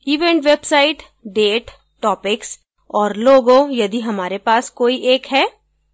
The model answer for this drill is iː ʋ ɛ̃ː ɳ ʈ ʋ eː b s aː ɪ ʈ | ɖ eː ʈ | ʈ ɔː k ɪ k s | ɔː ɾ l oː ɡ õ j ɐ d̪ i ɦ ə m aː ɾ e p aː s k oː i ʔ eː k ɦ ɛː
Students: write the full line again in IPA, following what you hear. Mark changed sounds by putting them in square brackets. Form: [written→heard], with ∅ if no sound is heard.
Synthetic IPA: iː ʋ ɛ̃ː ɳ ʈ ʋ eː b s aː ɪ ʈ | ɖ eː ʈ | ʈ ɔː [k→p] ɪ k s | ɔː ɾ l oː ɡ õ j ɐ d̪ i ɦ [ə→ɐ] m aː ɾ e p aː s k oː i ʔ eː k ɦ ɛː